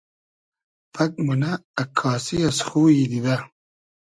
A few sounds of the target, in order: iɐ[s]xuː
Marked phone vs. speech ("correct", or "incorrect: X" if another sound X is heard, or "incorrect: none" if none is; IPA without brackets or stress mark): correct